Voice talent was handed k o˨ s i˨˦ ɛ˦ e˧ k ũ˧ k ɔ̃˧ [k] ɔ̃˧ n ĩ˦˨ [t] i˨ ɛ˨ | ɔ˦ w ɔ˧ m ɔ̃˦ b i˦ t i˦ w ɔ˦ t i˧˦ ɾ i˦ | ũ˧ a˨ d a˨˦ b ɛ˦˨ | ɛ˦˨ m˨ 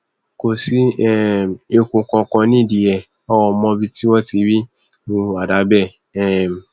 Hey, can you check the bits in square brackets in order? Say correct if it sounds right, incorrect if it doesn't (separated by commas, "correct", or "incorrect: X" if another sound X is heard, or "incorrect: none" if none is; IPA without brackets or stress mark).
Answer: correct, incorrect: d